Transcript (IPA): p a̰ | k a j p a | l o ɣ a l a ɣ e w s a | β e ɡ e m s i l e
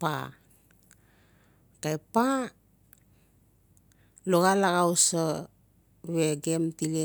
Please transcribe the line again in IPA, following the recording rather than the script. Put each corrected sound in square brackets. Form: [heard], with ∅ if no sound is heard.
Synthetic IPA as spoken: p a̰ | k a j p a | l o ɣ a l a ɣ [a] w s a | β e ɡ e m [t] i l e